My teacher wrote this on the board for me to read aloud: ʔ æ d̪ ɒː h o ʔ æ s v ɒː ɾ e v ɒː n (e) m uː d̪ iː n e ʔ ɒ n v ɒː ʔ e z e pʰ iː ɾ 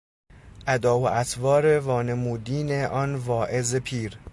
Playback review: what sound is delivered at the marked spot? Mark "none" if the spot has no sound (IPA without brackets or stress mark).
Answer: e